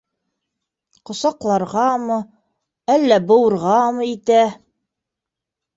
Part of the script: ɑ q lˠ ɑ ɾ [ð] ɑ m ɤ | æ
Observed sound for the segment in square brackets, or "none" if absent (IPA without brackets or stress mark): ʁ